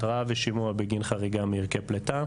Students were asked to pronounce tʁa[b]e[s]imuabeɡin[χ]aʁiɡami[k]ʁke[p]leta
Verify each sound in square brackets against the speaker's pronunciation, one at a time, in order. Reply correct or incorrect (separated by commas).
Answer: incorrect, incorrect, correct, incorrect, correct